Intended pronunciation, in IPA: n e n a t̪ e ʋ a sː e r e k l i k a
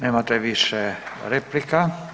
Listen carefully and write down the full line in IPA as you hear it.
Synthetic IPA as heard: n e m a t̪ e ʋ i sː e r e p l i k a

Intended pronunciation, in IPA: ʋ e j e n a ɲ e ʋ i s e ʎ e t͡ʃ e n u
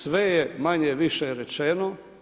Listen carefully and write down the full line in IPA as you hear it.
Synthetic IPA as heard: ʋ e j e m a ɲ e ʋ i ʃ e ɾ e t͡ʃ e n o

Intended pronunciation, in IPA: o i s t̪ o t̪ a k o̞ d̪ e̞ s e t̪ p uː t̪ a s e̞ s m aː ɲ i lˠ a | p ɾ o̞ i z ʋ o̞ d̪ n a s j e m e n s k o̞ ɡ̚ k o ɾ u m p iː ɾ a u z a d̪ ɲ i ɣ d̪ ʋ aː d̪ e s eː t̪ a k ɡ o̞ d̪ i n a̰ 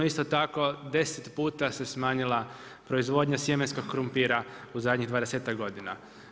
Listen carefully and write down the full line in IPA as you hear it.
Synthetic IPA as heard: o i s t̪ o t̪ a k o̞ d̪ e̞ s e t̪ p uː t̪ a s e̞ s m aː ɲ i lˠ a | p ɾ o̞ i z ʋ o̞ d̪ ɲ a s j e m e n s k o̞ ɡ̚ k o ɾ u m p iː ɾ a u z a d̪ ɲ i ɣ d̪ ʋ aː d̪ e s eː t̪ a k ɡ o̞ d̪ i n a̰

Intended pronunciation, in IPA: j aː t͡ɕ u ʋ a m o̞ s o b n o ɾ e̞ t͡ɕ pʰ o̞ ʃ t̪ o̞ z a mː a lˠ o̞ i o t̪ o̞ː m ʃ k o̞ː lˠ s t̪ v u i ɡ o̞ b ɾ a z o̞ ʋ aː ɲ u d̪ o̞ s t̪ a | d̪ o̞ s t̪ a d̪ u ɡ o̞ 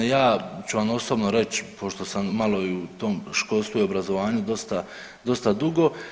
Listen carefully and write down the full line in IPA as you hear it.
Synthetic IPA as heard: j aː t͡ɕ u ʋ a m o̞ s o b n o ɾ e̞ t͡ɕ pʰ o̞ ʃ t̪ o̞ s a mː a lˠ o̞ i u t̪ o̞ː m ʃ k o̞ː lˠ s t̪ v u i o̞ b ɾ a z o̞ ʋ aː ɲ u d̪ o̞ s t̪ a | d̪ o̞ s t̪ a d̪ u ɡ o̞

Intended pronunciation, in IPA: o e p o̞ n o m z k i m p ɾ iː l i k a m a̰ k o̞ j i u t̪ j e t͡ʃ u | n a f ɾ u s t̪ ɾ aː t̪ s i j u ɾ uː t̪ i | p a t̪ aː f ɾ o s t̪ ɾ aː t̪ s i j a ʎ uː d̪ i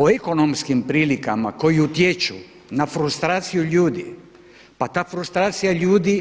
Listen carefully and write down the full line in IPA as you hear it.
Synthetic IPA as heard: o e k o̞ n o m s k i m p ɾ iː l i k a m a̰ k o̞ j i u t̪ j e t͡ʃ u | n a f ɾ u s t̪ ɾ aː t̪ s i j u ʎ uː d̪ i | p a t̪ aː f ɾ u s t̪ ɾ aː t̪ s i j a ʎ uː d̪ i

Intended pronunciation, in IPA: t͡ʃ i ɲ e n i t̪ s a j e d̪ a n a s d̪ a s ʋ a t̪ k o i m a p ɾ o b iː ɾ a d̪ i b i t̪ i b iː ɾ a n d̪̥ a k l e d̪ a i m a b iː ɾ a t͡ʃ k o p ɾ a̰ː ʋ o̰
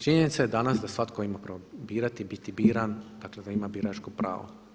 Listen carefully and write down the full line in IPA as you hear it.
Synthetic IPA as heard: t͡ʃ i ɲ e n i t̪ s a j e d̪ a n a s d̪ a s ʋ a t̪ k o i m a p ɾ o b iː ɾ a t̪ i b i t̪ i b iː ɾ a n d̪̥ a k l e d̪ a i m a b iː ɾ a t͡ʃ k o p ɾ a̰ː ʋ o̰

